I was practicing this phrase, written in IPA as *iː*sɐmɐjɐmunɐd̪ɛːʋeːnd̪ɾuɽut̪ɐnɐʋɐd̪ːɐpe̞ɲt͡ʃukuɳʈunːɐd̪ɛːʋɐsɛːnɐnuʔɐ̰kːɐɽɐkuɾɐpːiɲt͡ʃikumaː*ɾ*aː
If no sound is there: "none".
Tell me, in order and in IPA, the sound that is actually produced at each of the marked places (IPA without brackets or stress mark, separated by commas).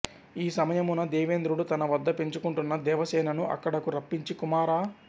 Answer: iː, ɾ